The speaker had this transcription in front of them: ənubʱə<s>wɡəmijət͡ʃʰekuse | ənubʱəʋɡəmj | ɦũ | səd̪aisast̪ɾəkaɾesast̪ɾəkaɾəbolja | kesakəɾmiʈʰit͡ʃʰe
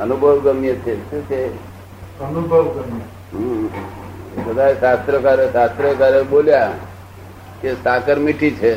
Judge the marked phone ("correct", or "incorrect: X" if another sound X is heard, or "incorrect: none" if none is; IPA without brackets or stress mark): incorrect: none